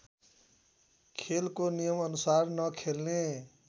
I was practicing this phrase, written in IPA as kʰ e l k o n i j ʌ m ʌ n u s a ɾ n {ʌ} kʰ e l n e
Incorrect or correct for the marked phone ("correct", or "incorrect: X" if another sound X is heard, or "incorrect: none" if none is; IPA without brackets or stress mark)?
correct